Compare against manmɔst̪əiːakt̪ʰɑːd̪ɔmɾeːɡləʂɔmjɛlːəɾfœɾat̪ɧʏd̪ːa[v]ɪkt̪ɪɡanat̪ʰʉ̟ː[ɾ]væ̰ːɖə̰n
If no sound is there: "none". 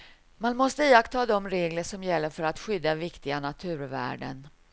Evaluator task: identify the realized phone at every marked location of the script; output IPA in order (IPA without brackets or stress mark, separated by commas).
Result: v, ɾ